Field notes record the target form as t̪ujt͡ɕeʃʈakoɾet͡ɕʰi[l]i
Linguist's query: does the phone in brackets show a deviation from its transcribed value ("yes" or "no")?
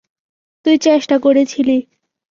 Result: no